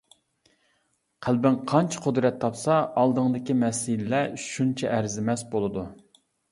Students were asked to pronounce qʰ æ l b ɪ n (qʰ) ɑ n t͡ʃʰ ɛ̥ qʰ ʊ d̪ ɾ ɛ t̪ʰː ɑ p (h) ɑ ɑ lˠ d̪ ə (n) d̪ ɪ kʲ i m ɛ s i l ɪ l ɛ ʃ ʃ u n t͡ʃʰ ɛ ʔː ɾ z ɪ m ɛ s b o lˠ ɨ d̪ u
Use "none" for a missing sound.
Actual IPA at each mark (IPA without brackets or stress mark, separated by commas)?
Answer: qʰ, s, ŋ